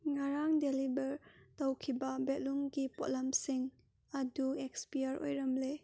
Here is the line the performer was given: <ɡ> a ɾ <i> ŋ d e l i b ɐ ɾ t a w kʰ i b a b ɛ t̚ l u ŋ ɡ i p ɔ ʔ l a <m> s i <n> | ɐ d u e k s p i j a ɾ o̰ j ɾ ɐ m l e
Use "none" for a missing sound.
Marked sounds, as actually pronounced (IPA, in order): ŋ, a, m, ŋ

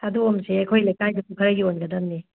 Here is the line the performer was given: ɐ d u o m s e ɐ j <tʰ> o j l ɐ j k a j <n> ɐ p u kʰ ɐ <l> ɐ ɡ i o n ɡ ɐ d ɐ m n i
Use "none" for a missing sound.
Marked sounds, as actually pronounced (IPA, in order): kʰ, d, ɾ

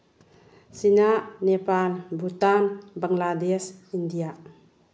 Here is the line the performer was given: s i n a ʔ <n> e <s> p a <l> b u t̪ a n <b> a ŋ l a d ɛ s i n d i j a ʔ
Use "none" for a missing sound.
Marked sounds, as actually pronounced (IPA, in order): n, none, l, b

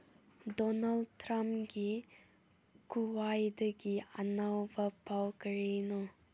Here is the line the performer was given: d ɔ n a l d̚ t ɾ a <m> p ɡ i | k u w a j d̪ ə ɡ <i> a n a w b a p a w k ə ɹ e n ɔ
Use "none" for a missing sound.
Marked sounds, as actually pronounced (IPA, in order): m, i

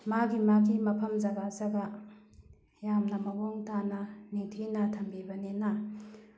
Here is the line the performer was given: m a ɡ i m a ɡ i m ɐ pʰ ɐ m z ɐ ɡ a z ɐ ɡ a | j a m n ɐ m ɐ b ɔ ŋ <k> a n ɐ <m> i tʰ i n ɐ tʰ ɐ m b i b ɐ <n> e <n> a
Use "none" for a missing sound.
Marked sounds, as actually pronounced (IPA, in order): t, n, n, n

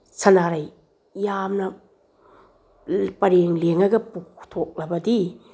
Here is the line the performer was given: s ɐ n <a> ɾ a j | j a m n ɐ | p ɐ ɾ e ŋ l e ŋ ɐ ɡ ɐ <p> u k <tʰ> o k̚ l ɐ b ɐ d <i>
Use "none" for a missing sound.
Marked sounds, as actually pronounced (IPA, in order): a, p, tʰ, i

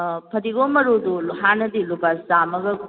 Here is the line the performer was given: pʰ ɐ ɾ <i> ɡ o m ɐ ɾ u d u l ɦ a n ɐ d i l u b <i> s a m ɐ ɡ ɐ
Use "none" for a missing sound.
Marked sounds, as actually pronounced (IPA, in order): i, a

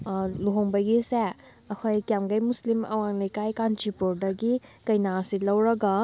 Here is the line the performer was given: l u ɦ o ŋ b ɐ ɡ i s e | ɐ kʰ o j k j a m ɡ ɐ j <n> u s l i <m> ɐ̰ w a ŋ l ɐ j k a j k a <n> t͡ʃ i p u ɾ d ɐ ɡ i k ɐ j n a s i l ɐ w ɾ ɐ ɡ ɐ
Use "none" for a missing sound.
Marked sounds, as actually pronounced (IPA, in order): m, m, n

